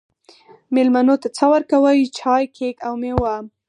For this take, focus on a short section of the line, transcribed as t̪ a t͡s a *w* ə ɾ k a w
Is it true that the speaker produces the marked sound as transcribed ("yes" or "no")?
yes